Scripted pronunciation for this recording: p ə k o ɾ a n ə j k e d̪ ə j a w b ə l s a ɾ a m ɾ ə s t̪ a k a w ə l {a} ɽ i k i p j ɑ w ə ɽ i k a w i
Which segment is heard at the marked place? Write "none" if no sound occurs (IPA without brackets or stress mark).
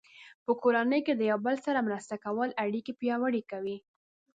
a